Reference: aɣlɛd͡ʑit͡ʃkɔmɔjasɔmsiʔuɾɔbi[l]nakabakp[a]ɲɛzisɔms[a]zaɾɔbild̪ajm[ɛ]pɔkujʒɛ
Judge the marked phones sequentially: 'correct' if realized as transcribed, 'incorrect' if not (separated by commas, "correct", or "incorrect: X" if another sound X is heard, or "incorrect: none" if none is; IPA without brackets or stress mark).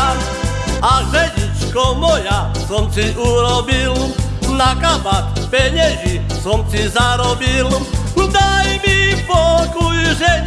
correct, incorrect: ɛ, incorrect: i, incorrect: i